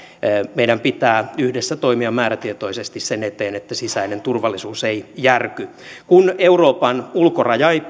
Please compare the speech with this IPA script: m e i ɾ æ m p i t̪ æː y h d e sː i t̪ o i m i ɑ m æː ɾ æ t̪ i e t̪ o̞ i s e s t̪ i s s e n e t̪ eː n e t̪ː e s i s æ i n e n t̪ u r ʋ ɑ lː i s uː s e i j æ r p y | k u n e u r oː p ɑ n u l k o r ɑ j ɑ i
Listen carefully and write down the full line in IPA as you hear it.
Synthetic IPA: m e i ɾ æ m p i t̪ æː y h d e sː æ t̪ o i m i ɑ m æː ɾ æ t̪ i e t̪ o̞ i s e s t̪ i s s e n e t̪ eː n e t̪ː æ s i s æ i n e n t̪ u r ʋ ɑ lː i s uː s e i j æ r k y | k u n e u r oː p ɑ n u l k o r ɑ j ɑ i

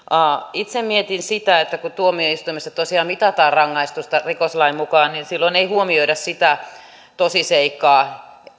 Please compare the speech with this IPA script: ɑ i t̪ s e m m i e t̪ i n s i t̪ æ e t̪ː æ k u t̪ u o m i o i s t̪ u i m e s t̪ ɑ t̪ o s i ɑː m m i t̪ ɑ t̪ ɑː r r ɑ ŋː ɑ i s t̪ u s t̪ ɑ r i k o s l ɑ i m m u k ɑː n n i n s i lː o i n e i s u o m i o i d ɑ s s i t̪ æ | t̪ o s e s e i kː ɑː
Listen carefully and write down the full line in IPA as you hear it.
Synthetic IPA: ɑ i t̪ s e m m i e t̪ i n s i t̪ æ e t̪ː æ k u t̪ u o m i o i s t̪ u i m e s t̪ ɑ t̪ o s i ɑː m m i t̪ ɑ t̪ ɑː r r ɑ ŋː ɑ i s t̪ u s t̪ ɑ r i k o s l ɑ i m m u k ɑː n n i n s i lː o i n e i h u o m i o i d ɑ s s i t̪ æ | t̪ o s i s e i kː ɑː

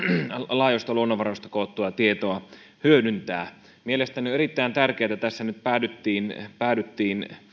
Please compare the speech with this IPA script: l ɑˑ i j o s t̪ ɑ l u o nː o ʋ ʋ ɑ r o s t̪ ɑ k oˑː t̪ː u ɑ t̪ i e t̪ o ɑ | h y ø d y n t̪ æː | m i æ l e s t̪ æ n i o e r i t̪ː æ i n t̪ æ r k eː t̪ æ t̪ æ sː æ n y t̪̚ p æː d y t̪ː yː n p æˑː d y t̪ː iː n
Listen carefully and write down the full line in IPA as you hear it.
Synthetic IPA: l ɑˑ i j o s t̪ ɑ l u o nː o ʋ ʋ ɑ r o s t̪ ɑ k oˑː t̪ː u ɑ t̪ i e t̪ o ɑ | h y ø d y n t̪ æː | m i e l e s t̪ æ n i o e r i t̪ː æ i n t̪ æ r k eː t̪ æ t̪ æ sː æ n y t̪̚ p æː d y t̪ː iː n p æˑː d y t̪ː iː n

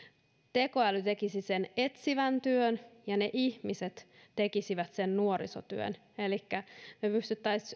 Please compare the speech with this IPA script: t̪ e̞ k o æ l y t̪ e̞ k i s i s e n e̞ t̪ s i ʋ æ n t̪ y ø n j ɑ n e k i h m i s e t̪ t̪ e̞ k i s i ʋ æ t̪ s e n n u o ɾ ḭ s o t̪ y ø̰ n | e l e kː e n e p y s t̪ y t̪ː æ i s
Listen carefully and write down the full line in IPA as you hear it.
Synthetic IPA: t̪ e̞ k o æ l y t̪ e̞ k i s i s e n e̞ t̪ s i ʋ æ n t̪ y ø n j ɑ n e ʔ i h m i s e t̪ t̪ e̞ k i s i ʋ æ t̪ s e n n u o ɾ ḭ s o t̪ y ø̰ n | e l i kː æ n e p y s t̪ y t̪ː æ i s

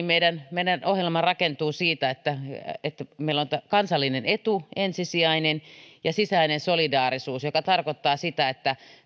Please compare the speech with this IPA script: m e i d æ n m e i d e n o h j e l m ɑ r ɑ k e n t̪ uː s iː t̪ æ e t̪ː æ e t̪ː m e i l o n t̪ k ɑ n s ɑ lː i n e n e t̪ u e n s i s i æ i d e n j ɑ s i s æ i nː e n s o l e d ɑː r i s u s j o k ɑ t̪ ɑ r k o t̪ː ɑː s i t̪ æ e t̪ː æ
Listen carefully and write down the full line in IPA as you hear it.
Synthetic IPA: m e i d æ n m e i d æ n o h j e l m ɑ r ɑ k e n t̪ uː s iː t̪ æ e t̪ː æ e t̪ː m e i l o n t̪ k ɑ n s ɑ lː i n e n e t̪ u e n s i s i æ i n e n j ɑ s i s æ i n e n s o l i d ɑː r i s uː s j o k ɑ t̪ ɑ r k o t̪ː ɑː s i t̪ æ e t̪ː æ

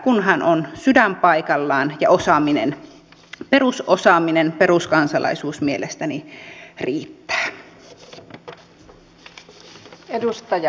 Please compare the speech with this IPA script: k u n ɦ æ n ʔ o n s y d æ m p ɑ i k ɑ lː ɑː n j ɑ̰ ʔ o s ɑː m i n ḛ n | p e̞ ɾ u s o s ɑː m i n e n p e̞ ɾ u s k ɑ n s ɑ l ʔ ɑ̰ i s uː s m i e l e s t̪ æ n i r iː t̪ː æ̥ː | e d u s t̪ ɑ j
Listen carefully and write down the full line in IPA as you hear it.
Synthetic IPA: k u n ɦ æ n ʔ o n s y d æ m p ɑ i k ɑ lː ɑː n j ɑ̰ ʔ o s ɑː m i n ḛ n | p e̞ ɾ u s o s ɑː m i n e n p e̞ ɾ u s k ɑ n s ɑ l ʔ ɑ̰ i s uː s m i e l e s t̪ æ n i r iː t̪ː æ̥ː | e d u s t̪ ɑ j

